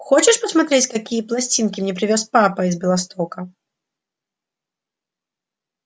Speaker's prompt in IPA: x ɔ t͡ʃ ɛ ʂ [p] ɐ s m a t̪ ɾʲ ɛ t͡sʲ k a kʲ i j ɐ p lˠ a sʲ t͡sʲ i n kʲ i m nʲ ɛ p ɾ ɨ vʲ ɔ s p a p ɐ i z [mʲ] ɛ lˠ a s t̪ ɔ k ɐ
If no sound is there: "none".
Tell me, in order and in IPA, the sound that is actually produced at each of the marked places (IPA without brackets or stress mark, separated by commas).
p, bʲ